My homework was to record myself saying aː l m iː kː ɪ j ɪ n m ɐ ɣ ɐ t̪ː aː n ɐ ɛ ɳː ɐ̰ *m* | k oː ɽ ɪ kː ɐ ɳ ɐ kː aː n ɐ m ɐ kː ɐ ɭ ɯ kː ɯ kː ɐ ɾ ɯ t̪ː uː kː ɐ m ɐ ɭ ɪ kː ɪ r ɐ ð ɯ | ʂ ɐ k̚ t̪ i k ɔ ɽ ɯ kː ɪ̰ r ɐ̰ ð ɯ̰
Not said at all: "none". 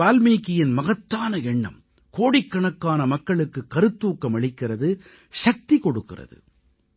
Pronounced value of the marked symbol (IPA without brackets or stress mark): m